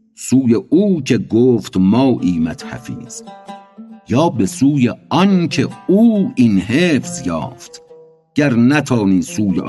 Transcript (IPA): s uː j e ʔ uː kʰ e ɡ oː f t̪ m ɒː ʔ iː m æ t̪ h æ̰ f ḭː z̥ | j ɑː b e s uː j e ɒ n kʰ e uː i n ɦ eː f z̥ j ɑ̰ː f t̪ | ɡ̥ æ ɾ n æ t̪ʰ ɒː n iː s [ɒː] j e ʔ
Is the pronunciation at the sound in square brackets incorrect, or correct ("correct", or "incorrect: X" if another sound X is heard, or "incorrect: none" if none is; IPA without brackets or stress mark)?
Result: incorrect: uː